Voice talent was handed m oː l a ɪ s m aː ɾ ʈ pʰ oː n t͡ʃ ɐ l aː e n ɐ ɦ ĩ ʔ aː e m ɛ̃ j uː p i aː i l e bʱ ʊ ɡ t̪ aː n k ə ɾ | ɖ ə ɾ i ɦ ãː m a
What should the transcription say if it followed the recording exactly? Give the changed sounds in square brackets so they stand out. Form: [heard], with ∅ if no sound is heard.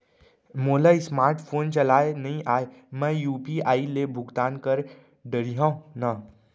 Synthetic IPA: m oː l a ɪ s m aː ɾ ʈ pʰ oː n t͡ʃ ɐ l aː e n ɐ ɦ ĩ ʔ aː e m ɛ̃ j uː p i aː i l e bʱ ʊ ɡ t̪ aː n k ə ɾ | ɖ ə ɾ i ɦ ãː [n] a